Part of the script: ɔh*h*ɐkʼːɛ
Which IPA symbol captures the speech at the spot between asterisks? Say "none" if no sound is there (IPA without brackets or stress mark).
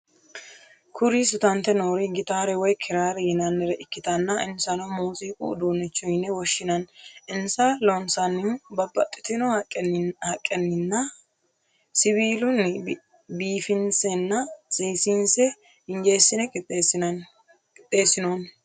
h